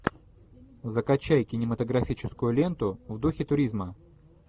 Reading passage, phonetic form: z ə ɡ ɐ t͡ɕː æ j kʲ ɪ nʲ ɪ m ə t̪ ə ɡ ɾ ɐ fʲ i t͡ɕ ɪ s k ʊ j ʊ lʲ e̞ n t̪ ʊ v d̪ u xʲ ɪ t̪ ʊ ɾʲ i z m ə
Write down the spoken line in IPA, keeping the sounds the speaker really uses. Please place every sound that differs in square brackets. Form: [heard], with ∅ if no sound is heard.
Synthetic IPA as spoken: z ə [k] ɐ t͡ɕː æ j kʲ ɪ nʲ ɪ m ə t̪ ə ɡ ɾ ɐ fʲ i t͡ɕ ɪ s k ʊ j ʊ lʲ e̞ n t̪ ʊ v d̪ u xʲ ɪ t̪ ʊ ɾʲ i z m ə

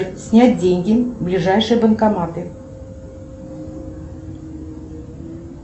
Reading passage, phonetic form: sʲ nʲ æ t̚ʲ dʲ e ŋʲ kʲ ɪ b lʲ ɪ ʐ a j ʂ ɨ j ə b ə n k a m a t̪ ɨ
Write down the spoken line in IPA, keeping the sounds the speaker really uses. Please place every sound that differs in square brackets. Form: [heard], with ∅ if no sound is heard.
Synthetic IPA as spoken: sʲ nʲ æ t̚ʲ dʲ e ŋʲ [ɡʲ] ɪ b lʲ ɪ ʐ a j ʂ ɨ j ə b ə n k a m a t̪ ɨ

